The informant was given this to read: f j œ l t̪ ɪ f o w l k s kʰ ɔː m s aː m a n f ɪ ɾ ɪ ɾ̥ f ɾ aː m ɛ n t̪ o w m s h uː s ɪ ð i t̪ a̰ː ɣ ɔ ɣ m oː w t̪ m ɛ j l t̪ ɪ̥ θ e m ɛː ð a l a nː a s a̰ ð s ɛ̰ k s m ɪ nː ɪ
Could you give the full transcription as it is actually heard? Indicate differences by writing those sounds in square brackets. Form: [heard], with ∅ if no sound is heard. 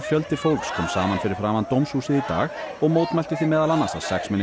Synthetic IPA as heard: f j œ l t̪ ɪ f o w l k s kʰ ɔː m s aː m a n f ɪ ɾ ɪ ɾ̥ f ɾ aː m [a] n t̪ o w m s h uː s ɪ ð i t̪ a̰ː ɣ ɔ ɣ m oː w t̪ m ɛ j l t̪ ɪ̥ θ [i] m ɛː ð a l a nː a s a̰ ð s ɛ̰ k s m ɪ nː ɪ